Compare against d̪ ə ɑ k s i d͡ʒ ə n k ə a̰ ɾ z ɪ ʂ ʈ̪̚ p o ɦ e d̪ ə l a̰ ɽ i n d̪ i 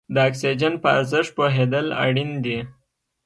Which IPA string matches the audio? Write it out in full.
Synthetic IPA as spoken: d̪ ə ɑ k s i d͡ʒ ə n p ə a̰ ɾ z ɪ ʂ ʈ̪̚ p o ɦ e d̪ ə l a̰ ɽ i n d̪ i